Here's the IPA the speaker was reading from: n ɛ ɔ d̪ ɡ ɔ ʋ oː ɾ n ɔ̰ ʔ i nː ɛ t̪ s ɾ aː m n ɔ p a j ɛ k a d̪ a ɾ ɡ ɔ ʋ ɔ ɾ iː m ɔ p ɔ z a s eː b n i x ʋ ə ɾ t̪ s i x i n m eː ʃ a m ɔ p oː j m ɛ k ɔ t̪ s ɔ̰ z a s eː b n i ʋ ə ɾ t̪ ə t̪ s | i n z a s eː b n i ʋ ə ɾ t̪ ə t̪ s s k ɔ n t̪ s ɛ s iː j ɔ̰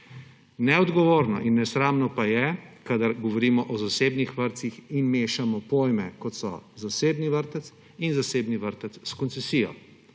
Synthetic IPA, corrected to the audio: n ɛ ɔ d̪ ɡ ɔ ʋ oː ɾ n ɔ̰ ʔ i nː ɛ s ɾ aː m n ɔ p a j ɛ k a d̪ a ɾ ɡ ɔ ʋ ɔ ɾ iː m ɔ ʔ ɔ z a s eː b n i x ʋ ə ɾ t̪ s i x i n m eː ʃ a m ɔ p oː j m ɛ k ɔ t̪ s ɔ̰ z a s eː b n i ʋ ə ɾ t̪ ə t̪ s | i n z a s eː b n i ʋ ə ɾ t̪ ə t̪ s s k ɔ n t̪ s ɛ s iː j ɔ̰

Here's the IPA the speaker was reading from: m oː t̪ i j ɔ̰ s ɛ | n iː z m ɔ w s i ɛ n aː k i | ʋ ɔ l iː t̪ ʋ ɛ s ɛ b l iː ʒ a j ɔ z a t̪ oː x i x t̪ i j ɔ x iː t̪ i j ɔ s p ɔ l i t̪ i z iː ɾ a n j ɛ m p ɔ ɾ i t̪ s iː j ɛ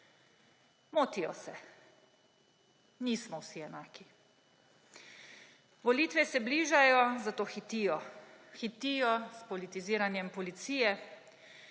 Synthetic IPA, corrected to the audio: m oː t̪ i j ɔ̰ s ɛ | n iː s m ɔ w s i ɛ n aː k i | ʋ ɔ l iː t̪ ʋ ɛ s ɛ b l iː ʒ a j ɔ z a t̪ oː x i t̪ i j ɔ x i t̪ i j ɔ s p ɔ l i t̪ i z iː ɾ a n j ɛ m p ɔ l i t̪ s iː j ɛ

